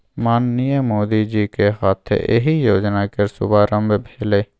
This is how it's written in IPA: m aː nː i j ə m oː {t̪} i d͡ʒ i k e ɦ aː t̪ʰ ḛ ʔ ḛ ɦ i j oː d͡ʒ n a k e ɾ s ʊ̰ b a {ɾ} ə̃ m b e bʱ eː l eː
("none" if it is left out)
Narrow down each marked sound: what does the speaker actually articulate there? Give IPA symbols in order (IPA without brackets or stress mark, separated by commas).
d̪, ɾ